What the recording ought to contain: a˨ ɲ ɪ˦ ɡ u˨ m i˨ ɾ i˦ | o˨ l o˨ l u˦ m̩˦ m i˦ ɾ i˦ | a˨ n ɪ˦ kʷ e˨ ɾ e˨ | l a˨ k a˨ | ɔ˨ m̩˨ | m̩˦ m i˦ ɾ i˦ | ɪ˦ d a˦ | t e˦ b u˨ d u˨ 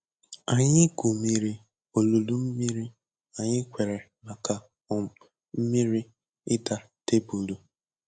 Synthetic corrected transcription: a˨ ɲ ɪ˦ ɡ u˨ m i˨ ɾ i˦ | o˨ l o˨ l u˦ m̩˦ m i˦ ɾ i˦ | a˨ ɲ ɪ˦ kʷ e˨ ɾ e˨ | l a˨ k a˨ | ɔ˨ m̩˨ | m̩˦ m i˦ ɾ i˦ | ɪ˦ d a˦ | t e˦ b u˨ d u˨